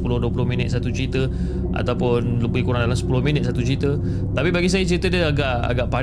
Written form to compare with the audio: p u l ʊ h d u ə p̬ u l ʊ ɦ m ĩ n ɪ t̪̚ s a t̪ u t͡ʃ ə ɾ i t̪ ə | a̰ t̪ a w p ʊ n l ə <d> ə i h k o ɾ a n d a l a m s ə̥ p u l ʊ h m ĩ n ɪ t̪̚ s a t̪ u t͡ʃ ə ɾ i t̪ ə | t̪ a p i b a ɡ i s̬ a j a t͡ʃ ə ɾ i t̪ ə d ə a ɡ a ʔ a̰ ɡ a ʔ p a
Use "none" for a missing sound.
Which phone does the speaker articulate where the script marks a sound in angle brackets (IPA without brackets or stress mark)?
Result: b